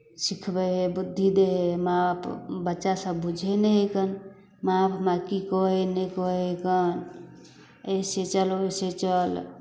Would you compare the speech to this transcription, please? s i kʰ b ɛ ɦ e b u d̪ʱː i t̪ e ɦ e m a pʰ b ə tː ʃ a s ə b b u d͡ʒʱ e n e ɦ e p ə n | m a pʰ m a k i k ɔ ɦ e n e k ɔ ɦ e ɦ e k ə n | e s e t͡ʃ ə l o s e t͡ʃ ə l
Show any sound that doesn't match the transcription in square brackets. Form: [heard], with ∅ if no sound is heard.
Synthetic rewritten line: s i kʰ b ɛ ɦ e b u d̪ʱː i [d̪] e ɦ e m a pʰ b ə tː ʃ a s ə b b u d͡ʒʱ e n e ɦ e [k] ə n | m a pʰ m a k i k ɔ ɦ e n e k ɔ ɦ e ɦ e k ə n | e s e t͡ʃ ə l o s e t͡ʃ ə l

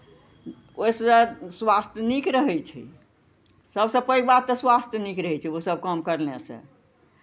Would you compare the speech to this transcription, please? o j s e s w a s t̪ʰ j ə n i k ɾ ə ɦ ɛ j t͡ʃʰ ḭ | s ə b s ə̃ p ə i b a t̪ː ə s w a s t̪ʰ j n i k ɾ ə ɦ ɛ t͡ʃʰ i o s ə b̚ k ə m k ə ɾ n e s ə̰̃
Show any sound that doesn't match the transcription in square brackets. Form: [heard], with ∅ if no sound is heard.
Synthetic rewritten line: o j s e s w a s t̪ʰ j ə n i k ɾ ə ɦ ɛ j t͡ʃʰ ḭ | s ə b s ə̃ p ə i b a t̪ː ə s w a s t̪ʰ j n i k ɾ ə ɦ ɛ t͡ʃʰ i o s ə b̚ k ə m k ə ɾ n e s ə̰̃

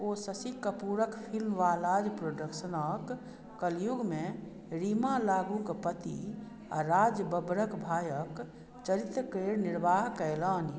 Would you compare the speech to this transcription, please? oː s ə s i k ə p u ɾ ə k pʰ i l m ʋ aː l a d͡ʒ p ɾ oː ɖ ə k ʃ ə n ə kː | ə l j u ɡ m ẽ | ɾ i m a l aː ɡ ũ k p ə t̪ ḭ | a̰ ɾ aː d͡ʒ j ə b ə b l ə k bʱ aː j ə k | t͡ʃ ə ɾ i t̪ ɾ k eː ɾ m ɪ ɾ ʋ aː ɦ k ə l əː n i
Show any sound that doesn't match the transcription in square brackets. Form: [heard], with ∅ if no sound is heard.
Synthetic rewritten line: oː s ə s i k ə p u ɾ ə k pʰ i l m ʋ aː l a d͡ʒ p ɾ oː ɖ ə k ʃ ə n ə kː | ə l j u ɡ m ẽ | ɾ i m a l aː ɡ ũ k p ə t̪ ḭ | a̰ ɾ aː d͡ʒ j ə b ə b [ɾ] ə k bʱ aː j ə k | t͡ʃ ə ɾ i t̪ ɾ k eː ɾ [n] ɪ ɾ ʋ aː ɦ k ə l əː n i

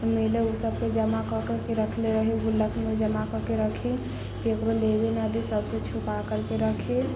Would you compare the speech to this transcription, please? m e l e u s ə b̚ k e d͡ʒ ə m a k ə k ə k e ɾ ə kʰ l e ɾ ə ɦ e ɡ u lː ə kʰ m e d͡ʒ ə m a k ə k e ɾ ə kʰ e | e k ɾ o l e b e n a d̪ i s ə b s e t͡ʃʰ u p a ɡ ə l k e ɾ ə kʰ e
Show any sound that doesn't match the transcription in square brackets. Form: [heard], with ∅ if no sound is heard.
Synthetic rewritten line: m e l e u s ə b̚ k e d͡ʒ ə m a k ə k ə k e ɾ ə kʰ l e ɾ ə ɦ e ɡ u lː ə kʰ m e d͡ʒ ə m a k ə k e ɾ ə kʰ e | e k ɾ o l e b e n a d̪ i s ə b s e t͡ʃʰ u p a [k] ə [ɾ] k e ɾ ə kʰ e

